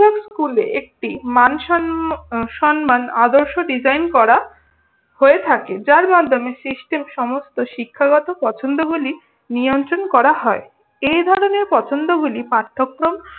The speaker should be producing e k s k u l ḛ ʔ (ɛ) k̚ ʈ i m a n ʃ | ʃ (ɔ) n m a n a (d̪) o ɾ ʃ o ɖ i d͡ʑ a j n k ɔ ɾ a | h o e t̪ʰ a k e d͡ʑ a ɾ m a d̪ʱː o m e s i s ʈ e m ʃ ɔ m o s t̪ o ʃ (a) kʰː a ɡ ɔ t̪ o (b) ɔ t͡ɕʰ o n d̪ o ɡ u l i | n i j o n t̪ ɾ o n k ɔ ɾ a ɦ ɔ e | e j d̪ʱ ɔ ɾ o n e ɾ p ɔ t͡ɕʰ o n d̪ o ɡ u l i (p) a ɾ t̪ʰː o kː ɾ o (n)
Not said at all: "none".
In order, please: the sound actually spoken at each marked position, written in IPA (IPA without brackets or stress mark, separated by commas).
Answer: e, ɔ, d̪, i, p, p, m